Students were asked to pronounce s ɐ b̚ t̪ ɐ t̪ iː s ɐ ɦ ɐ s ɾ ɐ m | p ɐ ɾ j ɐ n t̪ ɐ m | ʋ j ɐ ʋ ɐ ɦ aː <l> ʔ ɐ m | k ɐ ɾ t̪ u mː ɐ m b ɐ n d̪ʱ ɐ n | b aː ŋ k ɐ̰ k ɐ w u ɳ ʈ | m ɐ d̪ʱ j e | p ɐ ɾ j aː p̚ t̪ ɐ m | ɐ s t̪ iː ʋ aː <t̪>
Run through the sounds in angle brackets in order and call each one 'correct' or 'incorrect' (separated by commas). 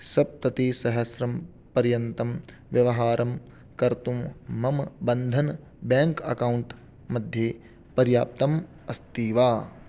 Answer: incorrect, incorrect